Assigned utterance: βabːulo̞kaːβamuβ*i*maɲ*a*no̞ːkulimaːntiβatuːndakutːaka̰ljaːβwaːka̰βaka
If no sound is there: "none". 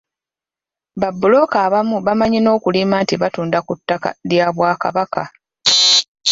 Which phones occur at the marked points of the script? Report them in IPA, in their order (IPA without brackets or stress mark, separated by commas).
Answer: a, i